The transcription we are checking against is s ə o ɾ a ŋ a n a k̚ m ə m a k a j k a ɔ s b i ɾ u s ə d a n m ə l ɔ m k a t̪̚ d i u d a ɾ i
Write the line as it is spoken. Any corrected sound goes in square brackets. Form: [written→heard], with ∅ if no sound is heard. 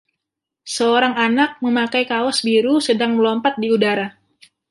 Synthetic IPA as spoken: s ə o ɾ a ŋ a n a k̚ m ə m a k a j k a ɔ s b i ɾ u s ə d a [n→ŋ] m ə l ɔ m [k→p] a t̪̚ d i u d a ɾ [i→a]